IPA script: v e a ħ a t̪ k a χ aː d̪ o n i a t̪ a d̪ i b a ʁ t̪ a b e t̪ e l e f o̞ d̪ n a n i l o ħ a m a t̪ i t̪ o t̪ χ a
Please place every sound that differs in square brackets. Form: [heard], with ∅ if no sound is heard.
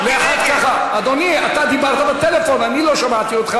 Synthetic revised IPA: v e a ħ a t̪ k a χ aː d̪ o n i a t̪ a d̪ i b a ʁ t̪ a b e t̪ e l e f o̞ [∅] n a n i l o [ʃ] a m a t̪ i [∅] o t̪ χ a